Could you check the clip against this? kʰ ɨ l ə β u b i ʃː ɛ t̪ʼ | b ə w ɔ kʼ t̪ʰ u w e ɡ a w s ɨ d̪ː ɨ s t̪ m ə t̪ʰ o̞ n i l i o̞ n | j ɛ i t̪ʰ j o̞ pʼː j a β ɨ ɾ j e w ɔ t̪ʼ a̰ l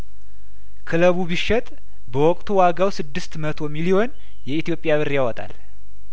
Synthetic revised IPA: kʰ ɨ l ə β u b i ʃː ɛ t̪ʼ | b ə w ɔ kʼ t̪ʰ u w a ɡ a w s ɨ d̪ː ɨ s t̪ m ə t̪ʰ o̞ m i l i o̞ n | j ɛ i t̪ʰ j o̞ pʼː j a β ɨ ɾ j a w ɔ t̪ʼ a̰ l